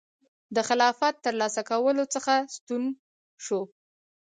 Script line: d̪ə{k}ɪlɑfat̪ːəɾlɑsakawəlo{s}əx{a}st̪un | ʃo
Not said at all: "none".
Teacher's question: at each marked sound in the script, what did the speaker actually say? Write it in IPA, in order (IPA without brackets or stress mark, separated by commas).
x, t͡s, a